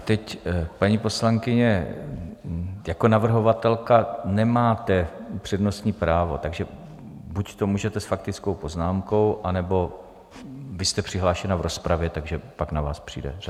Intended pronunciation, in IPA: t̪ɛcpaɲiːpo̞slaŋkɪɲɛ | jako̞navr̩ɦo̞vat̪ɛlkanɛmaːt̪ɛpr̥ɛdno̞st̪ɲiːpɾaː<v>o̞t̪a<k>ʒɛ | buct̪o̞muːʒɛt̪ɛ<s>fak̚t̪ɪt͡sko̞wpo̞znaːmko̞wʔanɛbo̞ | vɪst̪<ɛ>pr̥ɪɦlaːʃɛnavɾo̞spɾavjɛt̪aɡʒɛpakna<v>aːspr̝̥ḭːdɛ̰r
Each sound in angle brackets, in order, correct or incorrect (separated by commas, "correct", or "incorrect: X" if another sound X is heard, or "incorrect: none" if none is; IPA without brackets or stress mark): correct, incorrect: ɡ, correct, correct, correct